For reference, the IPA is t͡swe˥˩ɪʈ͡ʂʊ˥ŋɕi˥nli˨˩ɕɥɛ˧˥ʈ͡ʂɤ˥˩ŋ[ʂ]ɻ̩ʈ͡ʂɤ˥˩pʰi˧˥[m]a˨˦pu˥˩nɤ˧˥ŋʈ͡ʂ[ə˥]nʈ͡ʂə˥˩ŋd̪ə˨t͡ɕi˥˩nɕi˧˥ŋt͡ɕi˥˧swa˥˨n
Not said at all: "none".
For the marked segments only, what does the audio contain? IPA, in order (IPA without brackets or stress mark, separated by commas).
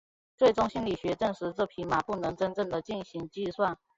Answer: ʂ, m, ə˥